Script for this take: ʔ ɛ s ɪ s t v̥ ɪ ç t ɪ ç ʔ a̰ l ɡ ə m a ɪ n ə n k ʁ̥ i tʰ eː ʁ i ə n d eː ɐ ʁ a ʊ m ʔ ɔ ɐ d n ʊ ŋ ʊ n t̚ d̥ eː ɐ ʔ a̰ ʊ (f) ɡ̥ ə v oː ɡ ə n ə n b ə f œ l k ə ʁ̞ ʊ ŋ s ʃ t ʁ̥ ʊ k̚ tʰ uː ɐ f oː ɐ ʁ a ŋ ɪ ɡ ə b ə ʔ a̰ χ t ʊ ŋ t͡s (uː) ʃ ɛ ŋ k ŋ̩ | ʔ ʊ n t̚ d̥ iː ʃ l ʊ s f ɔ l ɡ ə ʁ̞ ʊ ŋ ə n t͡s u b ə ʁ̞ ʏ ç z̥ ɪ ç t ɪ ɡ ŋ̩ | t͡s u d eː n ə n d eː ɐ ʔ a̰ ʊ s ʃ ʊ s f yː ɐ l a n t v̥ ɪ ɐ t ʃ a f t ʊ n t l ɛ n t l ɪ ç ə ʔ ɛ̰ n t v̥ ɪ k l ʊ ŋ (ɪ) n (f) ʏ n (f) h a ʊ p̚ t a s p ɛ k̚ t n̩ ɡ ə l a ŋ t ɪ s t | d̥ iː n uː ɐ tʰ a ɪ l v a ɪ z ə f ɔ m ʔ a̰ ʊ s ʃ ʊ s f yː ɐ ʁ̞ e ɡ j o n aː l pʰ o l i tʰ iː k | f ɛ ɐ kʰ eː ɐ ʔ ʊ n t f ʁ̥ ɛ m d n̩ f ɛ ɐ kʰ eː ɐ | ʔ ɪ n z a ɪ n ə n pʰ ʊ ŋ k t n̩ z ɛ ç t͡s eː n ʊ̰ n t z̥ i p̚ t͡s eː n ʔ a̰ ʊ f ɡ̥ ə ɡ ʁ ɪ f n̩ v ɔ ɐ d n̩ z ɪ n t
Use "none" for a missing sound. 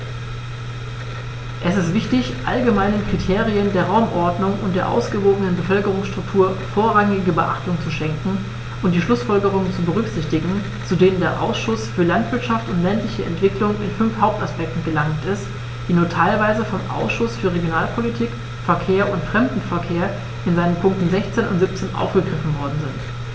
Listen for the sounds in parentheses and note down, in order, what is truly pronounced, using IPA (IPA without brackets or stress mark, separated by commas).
s, u, ɪ, f, f